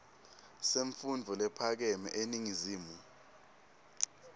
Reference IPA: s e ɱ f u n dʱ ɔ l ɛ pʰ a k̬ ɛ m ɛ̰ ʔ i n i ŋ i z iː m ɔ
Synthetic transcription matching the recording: s e ɱ f u n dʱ ɔ l ɛ pʰ a k̬ ɛ m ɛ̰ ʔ e n i ŋ i z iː m u